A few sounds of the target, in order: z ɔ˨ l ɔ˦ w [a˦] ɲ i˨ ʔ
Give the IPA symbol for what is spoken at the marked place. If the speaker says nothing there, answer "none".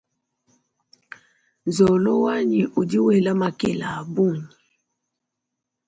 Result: a˦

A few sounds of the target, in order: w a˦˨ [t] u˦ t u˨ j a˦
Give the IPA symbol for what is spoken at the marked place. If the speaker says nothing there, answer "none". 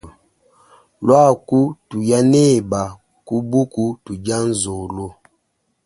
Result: k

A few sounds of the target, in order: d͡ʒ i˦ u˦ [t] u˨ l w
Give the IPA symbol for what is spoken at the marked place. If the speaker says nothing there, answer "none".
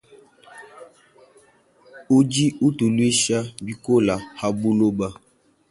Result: t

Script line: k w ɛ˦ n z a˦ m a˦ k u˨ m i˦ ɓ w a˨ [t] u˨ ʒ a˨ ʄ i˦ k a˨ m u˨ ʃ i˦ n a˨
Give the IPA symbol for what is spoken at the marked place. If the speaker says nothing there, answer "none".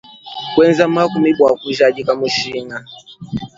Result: k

